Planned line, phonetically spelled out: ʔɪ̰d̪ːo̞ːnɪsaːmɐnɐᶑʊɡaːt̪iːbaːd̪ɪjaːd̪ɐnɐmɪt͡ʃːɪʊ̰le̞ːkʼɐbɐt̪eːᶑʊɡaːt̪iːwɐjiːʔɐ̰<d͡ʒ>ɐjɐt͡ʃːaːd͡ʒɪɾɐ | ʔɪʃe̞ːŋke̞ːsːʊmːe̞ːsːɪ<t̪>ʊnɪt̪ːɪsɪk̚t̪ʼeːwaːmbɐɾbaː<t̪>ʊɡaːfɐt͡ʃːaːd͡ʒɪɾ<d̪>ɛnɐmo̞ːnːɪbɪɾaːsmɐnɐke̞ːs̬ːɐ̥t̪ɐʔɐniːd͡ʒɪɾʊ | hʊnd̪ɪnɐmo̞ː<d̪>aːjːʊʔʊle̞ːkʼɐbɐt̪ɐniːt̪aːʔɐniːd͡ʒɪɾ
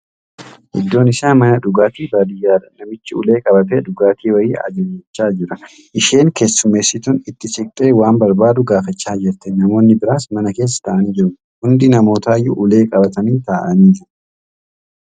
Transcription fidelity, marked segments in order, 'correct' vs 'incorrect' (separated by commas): correct, correct, incorrect, incorrect, incorrect